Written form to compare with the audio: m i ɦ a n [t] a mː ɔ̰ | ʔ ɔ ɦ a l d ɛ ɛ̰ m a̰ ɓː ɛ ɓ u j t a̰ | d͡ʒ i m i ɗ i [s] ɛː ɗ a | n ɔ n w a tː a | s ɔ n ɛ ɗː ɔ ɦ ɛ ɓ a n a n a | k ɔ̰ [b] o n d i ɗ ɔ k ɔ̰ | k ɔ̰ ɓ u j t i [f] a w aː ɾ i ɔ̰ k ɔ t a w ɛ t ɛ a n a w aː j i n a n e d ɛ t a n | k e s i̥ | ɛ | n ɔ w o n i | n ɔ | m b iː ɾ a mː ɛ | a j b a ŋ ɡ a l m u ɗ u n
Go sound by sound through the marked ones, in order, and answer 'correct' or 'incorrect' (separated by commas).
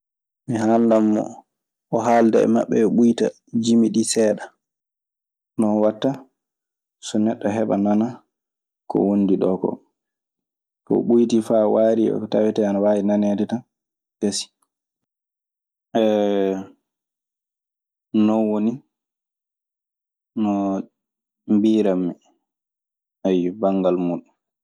incorrect, correct, incorrect, correct